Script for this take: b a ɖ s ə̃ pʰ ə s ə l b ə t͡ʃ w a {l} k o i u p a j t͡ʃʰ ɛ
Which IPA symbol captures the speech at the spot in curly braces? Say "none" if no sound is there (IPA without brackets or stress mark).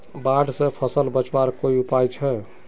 ɾ